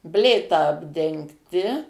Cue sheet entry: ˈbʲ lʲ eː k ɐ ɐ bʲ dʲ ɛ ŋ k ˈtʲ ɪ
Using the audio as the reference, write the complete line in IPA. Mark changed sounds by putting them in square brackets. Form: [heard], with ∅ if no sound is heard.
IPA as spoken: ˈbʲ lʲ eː [t] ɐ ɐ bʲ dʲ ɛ ŋ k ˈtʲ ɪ